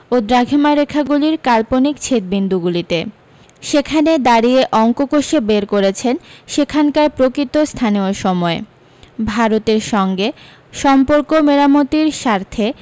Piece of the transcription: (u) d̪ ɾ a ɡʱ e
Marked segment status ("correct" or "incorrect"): incorrect